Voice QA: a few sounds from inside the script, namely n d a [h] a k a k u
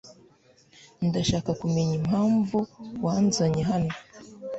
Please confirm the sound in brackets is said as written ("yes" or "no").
no